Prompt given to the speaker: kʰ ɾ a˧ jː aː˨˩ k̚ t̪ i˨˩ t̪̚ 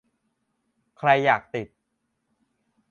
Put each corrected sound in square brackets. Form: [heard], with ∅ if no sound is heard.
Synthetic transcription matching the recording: kʰ ɾ a˧ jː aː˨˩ k̚ t̪ i˨˩ t̪̚